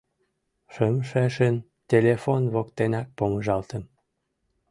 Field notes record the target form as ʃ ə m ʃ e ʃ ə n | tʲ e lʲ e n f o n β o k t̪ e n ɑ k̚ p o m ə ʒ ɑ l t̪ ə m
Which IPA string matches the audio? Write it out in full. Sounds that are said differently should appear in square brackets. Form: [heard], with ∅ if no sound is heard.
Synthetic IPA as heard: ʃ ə m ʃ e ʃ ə n | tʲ e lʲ e [∅] f o n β o k t̪ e n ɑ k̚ p o m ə ʒ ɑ l t̪ ə m